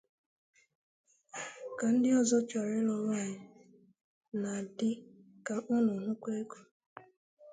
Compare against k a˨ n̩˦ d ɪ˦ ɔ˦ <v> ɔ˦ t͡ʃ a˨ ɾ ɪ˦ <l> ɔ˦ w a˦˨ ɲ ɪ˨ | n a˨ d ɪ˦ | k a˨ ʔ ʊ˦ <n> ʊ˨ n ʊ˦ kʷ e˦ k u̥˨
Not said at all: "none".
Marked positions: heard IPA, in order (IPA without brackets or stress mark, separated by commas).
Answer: z, l, n